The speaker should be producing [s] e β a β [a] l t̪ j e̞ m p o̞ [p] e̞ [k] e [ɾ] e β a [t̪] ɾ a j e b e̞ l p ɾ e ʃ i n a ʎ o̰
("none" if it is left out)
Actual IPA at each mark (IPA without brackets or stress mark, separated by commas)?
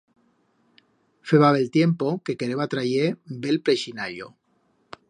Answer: f, e, k, k, ɾ, t̪